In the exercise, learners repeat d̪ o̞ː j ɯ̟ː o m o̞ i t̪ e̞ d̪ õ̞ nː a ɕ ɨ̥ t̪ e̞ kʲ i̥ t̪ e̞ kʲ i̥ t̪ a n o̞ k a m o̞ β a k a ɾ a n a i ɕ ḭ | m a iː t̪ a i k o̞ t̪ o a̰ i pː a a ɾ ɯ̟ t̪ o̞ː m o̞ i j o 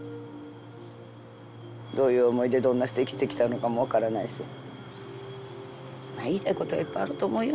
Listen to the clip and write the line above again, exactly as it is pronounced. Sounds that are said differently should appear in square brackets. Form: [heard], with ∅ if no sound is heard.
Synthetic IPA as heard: d̪ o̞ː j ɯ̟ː o m o̞ i [d̪] e̞ d̪ õ̞ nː a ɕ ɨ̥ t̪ e̞ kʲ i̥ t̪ e̞ kʲ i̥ t̪ a n o̞ k a m o̞ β a k a ɾ a n a i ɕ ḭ | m a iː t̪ a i k o̞ t̪ o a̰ i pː a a ɾ ɯ̟ t̪ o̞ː m o̞ i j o